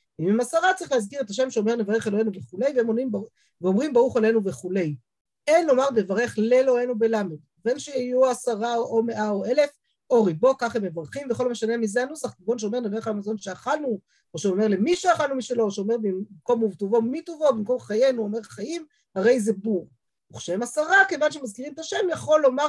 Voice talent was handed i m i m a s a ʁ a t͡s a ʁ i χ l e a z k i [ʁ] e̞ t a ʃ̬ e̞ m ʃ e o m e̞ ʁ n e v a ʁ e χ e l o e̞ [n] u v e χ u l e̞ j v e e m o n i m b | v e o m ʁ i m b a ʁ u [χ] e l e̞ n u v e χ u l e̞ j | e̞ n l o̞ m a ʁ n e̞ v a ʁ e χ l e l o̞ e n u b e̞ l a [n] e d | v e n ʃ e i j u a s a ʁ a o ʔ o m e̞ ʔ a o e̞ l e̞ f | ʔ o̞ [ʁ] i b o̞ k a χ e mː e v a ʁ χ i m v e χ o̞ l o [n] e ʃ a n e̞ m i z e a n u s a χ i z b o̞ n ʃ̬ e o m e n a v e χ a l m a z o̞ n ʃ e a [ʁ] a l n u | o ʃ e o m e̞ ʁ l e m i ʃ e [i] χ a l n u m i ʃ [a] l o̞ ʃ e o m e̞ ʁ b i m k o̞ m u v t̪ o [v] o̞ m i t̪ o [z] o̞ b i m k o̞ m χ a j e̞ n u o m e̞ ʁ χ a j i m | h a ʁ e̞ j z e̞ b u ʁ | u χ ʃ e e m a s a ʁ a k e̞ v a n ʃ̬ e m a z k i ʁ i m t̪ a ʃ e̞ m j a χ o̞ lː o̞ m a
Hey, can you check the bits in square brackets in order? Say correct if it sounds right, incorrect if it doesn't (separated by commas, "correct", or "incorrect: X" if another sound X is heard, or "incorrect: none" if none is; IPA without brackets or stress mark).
correct, correct, correct, incorrect: m, correct, incorrect: m, incorrect: χ, incorrect: a, incorrect: e, correct, incorrect: v